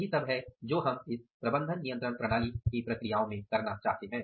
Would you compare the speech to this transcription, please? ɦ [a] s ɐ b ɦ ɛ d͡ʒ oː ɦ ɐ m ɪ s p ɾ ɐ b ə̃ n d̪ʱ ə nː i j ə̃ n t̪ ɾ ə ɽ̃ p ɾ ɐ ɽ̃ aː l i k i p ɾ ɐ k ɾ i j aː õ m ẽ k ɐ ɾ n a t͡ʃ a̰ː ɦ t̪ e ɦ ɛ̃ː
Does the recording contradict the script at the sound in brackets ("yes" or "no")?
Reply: yes